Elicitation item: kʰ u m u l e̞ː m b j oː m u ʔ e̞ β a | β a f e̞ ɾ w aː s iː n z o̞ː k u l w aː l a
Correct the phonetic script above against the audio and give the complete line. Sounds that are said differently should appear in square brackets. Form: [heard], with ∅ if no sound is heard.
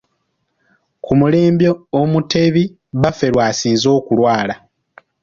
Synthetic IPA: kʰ u m u l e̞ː m b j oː m u [t] e̞ β [i] | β a f e̞ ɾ w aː s iː n z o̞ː k u l w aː l a